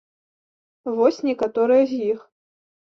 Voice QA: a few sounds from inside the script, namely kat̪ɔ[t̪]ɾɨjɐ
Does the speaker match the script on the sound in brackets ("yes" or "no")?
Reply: no